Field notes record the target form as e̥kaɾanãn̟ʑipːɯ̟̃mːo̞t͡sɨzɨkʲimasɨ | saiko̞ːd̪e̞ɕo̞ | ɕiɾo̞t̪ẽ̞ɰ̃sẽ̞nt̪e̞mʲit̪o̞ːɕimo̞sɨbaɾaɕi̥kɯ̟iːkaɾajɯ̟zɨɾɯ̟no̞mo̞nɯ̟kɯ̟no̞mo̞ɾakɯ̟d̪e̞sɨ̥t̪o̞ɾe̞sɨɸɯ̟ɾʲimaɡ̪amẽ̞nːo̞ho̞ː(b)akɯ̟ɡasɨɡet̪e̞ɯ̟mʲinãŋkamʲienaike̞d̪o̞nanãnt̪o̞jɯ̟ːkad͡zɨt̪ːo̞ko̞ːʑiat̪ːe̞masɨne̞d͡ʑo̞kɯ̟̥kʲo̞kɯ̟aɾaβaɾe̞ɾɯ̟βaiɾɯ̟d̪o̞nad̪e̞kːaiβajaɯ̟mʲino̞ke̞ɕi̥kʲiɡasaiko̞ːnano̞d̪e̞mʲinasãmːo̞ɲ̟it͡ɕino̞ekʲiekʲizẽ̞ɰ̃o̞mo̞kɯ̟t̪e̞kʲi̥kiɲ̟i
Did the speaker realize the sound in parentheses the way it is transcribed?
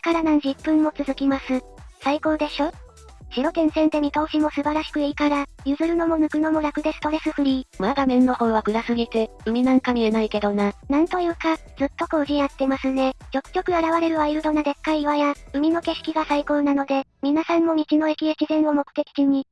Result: no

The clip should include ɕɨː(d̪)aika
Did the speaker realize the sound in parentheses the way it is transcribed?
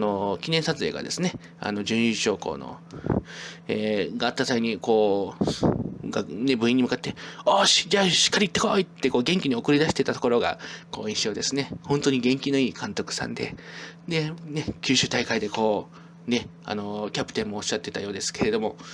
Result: no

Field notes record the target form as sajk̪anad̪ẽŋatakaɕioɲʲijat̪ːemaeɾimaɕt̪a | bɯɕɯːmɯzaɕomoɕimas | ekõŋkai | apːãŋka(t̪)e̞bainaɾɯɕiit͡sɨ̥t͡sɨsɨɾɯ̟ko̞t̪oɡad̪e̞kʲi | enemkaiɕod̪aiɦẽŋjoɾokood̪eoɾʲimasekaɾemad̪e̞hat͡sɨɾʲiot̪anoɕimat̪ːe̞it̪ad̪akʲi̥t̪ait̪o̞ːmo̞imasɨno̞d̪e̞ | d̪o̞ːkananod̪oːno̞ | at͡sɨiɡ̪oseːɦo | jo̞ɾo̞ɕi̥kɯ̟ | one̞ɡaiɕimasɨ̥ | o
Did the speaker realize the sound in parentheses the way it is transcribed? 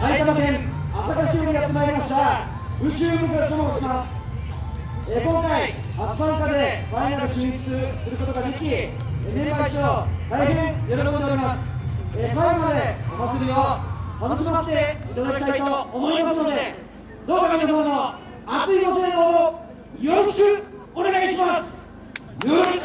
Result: no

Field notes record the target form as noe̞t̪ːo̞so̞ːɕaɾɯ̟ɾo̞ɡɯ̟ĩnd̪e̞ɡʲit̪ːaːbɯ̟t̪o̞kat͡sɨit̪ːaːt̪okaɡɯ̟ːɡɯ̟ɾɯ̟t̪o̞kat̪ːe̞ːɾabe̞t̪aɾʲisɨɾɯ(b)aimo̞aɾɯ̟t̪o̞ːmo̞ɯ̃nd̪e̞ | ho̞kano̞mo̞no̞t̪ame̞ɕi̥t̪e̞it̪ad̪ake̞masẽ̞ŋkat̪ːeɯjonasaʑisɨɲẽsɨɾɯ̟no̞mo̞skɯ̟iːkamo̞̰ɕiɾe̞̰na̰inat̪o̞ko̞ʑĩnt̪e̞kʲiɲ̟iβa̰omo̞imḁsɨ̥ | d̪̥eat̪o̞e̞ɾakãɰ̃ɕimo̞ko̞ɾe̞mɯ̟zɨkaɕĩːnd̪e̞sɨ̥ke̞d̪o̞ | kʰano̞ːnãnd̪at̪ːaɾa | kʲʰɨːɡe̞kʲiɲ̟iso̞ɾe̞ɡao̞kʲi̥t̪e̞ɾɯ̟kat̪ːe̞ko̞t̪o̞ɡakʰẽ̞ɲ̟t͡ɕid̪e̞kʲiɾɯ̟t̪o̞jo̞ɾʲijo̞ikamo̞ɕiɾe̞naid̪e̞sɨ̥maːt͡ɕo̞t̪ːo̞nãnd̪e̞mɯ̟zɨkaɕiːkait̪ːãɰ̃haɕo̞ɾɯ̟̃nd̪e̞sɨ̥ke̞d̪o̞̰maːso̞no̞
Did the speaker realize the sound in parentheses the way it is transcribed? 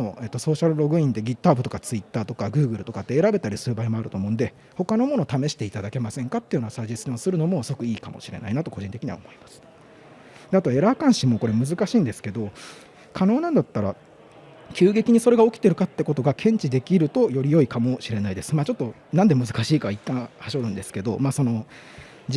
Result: yes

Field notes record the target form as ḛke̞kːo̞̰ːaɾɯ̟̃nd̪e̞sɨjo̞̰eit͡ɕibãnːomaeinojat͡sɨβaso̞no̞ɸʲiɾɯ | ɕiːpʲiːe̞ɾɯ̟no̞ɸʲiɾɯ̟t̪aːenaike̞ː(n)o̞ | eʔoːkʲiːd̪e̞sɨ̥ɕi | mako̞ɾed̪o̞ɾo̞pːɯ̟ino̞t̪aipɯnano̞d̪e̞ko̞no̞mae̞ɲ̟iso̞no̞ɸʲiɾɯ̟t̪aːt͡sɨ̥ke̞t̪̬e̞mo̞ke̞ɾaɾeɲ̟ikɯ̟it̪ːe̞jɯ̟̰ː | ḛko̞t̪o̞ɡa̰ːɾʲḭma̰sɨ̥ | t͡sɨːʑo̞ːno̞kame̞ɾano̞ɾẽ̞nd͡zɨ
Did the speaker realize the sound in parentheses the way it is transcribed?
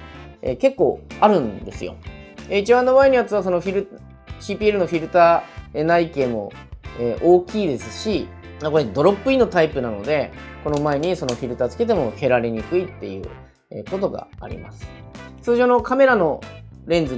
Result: no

